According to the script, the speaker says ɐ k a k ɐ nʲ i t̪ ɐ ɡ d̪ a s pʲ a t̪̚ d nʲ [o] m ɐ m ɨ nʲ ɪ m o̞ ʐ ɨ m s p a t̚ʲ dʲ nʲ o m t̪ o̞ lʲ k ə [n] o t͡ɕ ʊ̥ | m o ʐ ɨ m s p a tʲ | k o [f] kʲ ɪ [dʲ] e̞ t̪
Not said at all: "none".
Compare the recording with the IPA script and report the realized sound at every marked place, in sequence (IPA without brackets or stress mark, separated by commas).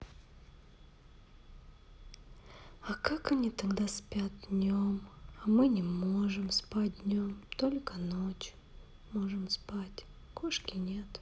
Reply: o, n, ʂ, nʲ